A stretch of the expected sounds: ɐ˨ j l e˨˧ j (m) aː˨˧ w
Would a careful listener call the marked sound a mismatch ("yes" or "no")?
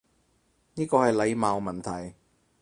no